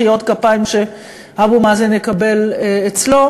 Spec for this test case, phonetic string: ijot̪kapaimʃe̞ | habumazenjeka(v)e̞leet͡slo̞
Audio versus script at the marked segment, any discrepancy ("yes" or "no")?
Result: yes